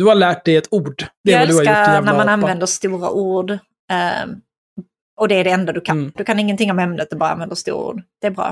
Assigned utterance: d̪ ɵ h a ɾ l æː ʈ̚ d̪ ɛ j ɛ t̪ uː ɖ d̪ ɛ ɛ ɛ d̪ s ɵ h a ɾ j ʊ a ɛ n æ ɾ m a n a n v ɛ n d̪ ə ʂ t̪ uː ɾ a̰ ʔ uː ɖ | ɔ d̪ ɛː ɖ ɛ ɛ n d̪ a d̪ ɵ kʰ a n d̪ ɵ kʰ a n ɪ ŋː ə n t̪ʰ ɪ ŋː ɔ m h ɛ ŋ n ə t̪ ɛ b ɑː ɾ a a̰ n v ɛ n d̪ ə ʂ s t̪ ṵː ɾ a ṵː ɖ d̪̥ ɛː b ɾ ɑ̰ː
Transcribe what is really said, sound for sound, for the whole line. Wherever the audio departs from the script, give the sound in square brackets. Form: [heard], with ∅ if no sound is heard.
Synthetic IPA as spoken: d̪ ɵ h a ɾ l æː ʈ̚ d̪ ɛ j ɛ t̪ uː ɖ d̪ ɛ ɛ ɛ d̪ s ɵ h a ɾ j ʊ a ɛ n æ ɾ m a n a n v ɛ n d̪ ə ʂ t̪ uː ɾ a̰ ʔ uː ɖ | ɔ d̪ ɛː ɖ ɛ ɛ n d̪ a d̪ ɵ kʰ a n d̪ ɵ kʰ a n ɪ ŋː ə n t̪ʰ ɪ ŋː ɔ m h ɛ [m] n ə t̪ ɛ b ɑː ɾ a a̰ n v ɛ n d̪ ə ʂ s t̪ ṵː ɾ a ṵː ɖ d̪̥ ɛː b ɾ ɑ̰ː